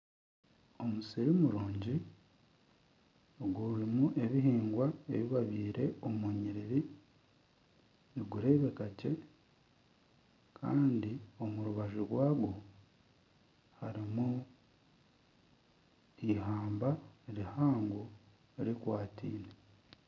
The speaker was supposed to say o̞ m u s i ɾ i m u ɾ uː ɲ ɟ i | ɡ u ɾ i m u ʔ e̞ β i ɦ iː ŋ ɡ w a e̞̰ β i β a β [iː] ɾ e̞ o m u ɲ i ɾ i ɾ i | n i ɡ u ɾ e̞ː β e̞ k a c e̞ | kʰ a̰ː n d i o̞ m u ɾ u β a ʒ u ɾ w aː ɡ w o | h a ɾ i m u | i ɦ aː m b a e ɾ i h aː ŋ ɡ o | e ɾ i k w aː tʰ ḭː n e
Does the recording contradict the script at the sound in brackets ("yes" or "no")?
no